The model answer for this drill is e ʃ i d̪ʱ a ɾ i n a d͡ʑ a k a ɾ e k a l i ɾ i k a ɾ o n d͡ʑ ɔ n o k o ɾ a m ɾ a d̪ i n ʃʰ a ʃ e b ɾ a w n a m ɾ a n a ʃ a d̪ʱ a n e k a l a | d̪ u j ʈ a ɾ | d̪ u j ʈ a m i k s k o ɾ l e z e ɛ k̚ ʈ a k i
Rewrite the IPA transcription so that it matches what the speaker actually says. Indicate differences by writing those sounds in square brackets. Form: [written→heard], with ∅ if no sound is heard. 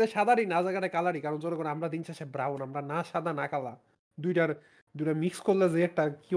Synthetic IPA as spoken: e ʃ [i→a] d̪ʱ a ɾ i n a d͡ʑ a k a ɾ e k a l [i→a] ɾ i k a ɾ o n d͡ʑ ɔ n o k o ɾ a m ɾ a d̪ i n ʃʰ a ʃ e b ɾ a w n a m ɾ a n a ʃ a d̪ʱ a n [e→a] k a l a | d̪ u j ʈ a ɾ | d̪ u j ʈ a m i k s k o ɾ l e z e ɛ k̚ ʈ a k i